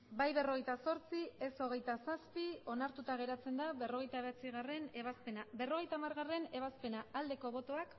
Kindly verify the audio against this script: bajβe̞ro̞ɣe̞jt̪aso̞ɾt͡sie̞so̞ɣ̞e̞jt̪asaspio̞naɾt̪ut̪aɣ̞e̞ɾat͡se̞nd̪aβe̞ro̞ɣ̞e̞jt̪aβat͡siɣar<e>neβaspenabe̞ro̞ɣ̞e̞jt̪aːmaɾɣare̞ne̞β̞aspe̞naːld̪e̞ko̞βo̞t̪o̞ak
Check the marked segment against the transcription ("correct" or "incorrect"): correct